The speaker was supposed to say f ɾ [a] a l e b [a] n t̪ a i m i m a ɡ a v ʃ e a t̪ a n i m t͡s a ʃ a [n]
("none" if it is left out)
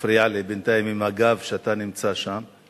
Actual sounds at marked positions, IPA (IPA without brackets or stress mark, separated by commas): i, e, m